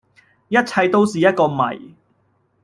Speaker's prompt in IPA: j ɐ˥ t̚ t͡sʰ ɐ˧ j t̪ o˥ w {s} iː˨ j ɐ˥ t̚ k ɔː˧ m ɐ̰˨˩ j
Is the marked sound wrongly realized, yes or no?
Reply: no